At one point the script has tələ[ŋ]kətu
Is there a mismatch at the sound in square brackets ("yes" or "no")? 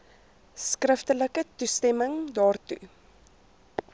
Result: yes